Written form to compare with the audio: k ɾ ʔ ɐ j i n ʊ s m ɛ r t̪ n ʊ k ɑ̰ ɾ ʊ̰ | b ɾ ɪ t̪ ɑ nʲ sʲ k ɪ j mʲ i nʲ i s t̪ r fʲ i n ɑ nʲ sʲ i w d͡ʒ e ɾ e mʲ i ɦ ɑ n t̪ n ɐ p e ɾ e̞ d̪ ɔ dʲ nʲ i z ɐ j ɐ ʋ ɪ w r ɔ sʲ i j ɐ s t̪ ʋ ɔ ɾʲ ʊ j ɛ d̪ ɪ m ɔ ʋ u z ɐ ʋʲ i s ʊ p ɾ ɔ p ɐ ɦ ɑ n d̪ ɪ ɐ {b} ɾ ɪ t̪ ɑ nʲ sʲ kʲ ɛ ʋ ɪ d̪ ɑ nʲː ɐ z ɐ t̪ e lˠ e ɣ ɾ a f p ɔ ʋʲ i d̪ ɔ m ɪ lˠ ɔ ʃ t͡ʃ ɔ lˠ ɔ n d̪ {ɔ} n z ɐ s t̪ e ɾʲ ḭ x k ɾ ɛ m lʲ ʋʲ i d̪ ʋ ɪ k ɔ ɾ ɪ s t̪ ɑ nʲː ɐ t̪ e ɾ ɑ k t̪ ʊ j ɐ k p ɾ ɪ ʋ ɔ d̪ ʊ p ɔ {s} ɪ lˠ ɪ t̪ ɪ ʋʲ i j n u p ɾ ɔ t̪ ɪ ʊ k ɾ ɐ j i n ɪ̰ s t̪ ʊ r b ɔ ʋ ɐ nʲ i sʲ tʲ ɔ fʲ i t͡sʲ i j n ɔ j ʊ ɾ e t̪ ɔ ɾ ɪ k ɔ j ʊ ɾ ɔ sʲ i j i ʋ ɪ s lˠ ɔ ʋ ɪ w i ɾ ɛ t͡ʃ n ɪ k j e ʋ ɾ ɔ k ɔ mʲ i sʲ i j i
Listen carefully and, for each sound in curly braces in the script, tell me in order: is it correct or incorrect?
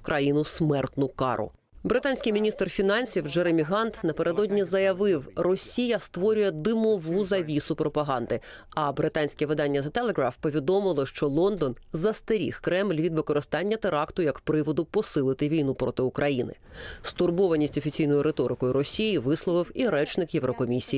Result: correct, correct, correct

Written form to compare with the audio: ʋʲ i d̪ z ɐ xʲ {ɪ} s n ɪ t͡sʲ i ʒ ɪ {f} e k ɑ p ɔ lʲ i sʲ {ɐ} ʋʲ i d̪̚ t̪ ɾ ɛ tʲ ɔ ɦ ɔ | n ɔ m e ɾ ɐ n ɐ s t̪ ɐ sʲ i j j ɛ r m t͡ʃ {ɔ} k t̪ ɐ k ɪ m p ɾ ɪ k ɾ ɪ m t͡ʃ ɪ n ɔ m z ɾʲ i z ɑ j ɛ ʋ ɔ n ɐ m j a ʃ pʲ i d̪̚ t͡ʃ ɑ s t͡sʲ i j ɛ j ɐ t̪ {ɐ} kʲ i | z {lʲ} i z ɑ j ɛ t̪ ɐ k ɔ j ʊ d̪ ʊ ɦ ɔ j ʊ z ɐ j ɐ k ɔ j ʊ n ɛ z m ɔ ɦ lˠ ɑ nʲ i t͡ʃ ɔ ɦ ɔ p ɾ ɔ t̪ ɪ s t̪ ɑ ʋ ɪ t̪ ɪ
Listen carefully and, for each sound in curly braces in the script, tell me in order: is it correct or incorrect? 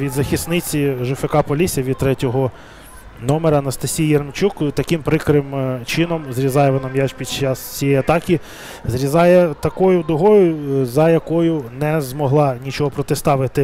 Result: incorrect: i, correct, correct, incorrect: u, incorrect: ɑ, incorrect: ɾʲ

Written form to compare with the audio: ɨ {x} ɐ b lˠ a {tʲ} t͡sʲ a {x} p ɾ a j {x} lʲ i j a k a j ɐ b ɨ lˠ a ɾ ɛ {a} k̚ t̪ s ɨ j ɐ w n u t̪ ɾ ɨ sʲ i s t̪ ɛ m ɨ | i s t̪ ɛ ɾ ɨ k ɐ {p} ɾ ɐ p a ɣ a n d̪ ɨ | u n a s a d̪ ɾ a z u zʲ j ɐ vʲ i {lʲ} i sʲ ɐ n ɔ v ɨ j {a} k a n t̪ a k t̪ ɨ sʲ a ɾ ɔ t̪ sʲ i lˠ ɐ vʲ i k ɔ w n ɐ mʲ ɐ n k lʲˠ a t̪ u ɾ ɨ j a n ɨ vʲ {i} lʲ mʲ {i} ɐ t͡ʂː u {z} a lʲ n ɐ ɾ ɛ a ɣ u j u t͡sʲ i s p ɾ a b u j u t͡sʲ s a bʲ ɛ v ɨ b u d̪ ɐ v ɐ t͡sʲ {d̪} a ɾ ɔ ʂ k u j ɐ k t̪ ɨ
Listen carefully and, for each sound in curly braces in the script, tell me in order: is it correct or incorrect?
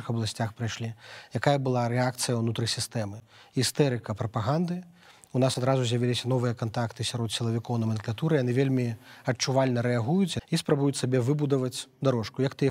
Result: correct, incorrect: sʲ, correct, incorrect: ʂ, correct, correct, correct, incorrect: ɐ, incorrect: e, correct, incorrect: v, correct

